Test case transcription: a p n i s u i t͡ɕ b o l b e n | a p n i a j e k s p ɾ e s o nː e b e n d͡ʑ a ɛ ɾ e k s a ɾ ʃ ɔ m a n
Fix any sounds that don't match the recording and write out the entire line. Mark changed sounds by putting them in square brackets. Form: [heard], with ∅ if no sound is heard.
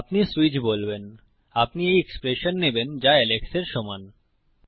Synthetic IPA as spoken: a p n i s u i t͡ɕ b o l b e n | a p n i [e] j e k s p ɾ e [ʃ] o nː e b e n d͡ʑ a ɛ [l] e k s [e] ɾ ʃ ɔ m a n